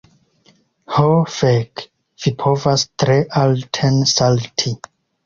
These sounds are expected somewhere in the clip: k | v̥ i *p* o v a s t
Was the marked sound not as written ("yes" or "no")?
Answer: yes